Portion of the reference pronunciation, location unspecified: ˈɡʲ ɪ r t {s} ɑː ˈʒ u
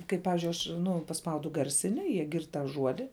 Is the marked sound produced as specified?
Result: no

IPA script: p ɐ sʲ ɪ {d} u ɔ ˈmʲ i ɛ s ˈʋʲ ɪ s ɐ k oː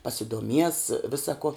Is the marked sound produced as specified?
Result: yes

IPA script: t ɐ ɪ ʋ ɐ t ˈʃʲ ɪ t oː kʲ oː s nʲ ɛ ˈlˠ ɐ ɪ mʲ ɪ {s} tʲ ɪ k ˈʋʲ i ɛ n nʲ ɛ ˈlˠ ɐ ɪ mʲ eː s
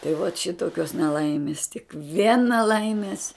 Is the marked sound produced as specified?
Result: yes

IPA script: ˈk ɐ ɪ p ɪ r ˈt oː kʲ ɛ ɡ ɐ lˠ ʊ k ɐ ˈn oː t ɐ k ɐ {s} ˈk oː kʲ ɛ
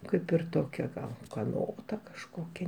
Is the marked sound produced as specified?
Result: no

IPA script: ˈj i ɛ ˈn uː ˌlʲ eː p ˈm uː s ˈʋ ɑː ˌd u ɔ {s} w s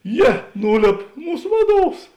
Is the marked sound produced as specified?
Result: no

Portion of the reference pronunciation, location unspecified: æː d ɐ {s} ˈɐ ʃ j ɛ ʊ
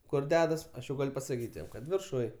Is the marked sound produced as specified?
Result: yes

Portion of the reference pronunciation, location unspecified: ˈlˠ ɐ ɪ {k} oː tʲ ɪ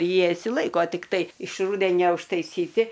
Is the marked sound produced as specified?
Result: yes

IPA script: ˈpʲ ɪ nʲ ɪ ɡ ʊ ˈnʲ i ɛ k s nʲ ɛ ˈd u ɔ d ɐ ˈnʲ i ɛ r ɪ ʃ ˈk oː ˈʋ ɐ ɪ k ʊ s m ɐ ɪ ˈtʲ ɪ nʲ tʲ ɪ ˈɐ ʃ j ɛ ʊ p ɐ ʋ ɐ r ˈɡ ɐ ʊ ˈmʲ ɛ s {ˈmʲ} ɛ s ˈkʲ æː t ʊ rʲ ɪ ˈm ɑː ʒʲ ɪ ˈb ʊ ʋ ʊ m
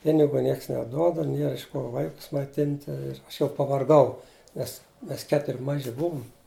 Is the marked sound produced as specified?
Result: yes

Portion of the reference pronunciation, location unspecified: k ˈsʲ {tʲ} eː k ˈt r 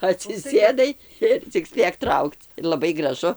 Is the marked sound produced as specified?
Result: no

